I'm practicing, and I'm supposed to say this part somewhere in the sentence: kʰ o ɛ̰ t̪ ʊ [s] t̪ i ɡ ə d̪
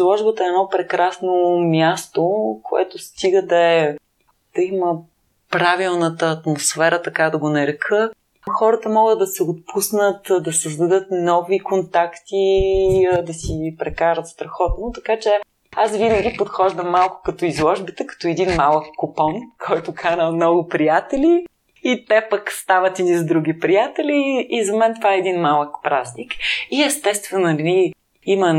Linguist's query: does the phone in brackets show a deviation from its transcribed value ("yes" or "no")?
no